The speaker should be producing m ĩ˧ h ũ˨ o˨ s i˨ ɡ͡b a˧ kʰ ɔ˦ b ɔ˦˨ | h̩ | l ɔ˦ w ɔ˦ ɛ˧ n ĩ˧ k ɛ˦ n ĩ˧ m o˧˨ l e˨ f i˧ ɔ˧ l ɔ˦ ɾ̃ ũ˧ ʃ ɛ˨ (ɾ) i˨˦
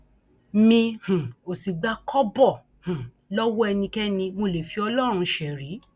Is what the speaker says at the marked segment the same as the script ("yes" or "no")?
yes